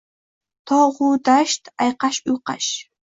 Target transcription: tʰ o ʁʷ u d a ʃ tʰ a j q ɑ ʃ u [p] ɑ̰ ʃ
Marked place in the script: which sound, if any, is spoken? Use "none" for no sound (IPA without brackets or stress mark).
q